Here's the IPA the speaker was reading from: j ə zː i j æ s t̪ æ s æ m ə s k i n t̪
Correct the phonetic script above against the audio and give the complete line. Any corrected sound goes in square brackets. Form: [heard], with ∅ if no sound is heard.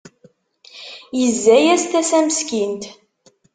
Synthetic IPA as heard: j ə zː [æ] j æ s t̪ æ s æ m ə s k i n t̪